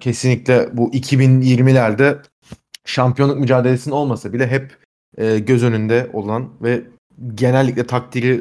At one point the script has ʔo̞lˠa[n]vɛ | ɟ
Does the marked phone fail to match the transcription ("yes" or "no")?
no